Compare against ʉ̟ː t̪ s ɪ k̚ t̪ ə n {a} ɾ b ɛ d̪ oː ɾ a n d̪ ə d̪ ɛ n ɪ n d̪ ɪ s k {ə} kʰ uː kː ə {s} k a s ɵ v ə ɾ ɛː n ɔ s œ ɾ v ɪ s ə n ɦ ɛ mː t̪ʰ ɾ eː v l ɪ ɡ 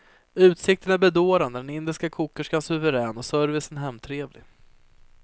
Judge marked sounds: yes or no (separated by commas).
no, no, no